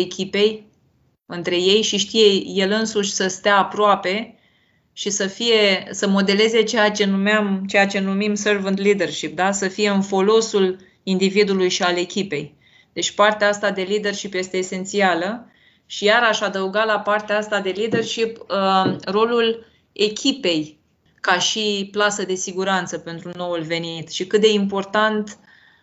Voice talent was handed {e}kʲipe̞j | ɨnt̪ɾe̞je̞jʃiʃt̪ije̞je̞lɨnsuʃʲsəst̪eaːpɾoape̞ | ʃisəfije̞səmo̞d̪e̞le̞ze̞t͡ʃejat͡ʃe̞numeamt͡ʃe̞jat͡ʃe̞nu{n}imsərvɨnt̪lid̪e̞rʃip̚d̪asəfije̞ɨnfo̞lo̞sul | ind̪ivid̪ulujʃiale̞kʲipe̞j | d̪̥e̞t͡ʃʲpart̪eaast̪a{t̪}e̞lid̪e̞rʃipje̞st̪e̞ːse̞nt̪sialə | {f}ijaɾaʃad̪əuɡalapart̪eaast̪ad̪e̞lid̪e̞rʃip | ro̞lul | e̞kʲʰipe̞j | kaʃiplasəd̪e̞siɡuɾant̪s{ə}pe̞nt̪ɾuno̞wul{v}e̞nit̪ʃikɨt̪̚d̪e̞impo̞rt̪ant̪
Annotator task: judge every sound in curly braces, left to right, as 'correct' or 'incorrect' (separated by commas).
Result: correct, incorrect, incorrect, incorrect, correct, correct